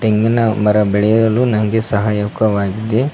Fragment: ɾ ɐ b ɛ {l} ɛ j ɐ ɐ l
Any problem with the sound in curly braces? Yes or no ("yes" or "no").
yes